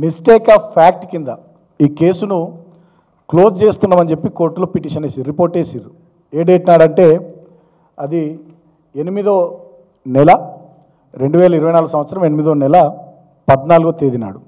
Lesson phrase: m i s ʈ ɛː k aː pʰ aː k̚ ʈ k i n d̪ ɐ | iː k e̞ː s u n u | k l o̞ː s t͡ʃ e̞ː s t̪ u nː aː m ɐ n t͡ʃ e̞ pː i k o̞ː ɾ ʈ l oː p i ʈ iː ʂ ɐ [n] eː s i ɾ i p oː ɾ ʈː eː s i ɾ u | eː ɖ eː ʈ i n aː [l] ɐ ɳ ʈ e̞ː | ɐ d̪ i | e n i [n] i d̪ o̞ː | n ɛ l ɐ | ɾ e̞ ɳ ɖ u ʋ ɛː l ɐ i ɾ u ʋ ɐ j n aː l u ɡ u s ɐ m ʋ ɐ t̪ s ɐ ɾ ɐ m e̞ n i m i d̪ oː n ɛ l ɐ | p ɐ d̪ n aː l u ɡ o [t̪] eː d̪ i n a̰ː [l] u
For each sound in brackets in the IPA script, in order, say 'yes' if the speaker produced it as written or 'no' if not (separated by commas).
yes, no, no, yes, no